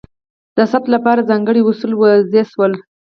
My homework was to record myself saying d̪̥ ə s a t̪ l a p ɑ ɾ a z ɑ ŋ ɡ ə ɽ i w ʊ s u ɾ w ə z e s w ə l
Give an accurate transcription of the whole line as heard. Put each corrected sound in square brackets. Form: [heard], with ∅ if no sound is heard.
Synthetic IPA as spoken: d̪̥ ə s a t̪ l a p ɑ ɾ a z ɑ ŋ ɡ ə ɽ i w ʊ s u [l] w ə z e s w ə l